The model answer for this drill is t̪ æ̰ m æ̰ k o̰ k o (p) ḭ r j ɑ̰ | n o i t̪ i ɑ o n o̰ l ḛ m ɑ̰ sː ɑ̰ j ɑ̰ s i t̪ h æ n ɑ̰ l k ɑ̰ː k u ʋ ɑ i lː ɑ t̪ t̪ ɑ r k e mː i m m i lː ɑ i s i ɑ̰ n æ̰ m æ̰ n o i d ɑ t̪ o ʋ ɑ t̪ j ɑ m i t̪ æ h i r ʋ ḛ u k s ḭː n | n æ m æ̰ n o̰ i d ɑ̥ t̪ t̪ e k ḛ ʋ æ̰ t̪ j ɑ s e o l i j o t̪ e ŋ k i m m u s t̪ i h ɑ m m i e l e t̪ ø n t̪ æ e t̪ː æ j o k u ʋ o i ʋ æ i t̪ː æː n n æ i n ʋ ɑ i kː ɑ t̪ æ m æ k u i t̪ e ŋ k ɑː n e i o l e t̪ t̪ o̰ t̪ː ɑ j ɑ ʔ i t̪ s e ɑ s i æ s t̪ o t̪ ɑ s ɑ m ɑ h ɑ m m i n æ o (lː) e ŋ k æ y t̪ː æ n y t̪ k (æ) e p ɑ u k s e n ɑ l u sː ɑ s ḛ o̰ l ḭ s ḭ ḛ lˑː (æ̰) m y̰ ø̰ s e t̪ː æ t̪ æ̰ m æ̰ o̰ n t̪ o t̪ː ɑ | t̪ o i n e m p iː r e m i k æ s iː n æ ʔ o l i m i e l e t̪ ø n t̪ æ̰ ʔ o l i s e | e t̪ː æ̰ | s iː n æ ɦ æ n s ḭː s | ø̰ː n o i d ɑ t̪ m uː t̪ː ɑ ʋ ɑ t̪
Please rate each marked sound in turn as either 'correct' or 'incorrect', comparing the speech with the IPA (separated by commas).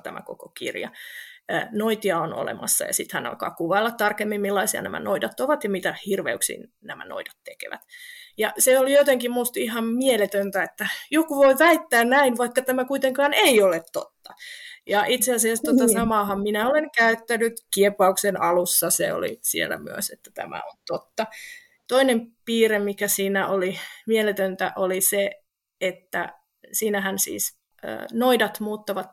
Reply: incorrect, incorrect, incorrect, correct